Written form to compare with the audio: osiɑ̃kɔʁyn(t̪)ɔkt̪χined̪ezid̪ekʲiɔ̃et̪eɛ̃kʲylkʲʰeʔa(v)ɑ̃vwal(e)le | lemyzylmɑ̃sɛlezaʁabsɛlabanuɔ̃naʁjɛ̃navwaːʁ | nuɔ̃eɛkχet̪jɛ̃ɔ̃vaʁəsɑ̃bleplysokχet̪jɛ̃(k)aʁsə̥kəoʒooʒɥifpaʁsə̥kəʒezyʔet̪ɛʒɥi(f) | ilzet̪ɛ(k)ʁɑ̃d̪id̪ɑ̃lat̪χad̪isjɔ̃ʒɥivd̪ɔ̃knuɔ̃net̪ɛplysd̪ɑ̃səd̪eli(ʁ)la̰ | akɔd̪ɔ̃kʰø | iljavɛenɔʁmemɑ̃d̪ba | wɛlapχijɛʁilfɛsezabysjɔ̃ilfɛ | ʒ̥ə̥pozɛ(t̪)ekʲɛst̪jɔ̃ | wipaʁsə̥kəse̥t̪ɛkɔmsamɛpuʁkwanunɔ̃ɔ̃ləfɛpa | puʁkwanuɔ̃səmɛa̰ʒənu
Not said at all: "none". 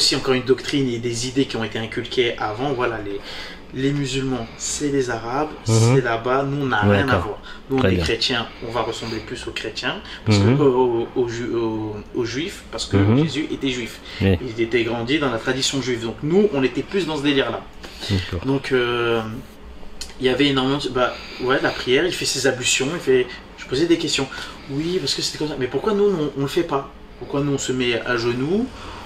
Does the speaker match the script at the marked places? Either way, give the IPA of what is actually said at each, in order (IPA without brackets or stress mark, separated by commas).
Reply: d̪, v, a, p, f, ɡ, ʁ, d̪